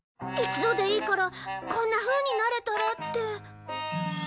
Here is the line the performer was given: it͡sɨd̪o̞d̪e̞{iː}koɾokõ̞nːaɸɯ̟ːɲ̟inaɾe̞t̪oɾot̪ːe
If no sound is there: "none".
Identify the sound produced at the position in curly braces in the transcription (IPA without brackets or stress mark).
iː